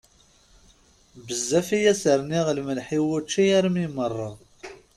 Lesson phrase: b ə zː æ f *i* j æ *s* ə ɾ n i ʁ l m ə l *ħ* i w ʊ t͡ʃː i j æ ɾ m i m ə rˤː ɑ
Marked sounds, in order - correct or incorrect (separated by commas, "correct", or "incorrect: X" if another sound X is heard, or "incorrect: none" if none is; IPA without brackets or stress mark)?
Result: correct, correct, correct